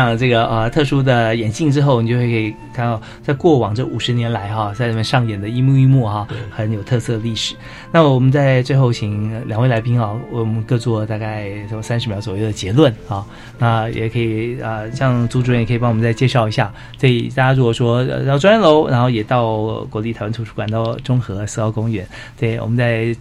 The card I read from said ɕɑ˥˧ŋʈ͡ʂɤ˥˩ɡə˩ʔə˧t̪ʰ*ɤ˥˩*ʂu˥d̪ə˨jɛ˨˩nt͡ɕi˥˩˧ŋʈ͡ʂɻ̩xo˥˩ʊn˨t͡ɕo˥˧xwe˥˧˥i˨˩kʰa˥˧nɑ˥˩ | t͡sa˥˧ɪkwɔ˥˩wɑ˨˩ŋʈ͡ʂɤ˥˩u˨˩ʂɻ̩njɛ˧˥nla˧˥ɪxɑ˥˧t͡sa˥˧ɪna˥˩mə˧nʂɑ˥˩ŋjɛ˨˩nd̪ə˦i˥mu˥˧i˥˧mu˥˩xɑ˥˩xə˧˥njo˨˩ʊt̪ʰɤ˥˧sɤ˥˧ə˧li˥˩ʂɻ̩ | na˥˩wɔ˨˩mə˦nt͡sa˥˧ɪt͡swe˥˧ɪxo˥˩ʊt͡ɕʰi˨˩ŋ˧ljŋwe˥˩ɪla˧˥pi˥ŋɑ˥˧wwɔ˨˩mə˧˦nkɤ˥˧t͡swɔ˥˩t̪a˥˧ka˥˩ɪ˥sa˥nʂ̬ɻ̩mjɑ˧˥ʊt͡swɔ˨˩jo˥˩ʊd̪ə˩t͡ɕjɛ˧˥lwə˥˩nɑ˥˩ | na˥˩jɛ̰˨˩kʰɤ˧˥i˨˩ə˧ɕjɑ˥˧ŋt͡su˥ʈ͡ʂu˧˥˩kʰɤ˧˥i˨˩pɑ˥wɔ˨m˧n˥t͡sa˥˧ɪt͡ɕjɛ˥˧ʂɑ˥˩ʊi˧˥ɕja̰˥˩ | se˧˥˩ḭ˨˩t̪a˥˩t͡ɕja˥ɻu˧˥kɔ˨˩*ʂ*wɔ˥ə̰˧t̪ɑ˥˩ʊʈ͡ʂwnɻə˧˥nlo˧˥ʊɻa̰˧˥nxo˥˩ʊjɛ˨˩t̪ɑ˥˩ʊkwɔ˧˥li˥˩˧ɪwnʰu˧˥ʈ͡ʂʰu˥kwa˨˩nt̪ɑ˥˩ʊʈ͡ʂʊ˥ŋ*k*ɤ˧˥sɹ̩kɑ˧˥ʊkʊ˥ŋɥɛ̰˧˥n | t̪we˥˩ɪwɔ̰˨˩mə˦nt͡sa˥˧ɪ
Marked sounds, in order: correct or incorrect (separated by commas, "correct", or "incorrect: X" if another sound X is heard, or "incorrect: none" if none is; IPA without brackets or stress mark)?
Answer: correct, correct, incorrect: x